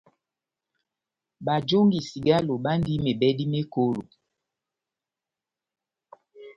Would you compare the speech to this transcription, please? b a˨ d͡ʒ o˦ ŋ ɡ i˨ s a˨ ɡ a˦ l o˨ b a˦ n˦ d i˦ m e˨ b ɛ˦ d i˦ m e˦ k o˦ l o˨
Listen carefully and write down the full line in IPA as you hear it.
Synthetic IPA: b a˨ d͡ʒ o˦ ŋ ɡ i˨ s i˨ ɡ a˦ l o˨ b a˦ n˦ d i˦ m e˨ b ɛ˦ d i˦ m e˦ k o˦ l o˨